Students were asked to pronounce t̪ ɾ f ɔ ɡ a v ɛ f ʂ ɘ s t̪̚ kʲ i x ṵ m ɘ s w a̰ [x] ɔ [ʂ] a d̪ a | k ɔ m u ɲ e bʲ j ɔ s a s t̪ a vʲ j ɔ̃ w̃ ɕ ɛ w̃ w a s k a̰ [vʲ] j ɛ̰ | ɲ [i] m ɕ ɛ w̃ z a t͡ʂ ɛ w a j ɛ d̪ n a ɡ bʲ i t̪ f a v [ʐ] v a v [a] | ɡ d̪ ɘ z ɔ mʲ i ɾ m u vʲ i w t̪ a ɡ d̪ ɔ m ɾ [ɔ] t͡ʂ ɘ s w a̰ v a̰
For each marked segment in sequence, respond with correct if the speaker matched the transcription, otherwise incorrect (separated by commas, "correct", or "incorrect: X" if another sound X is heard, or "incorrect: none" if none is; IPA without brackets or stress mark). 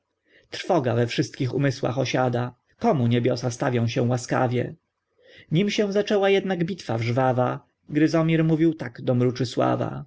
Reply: correct, incorrect: ɕ, correct, correct, correct, correct, incorrect: u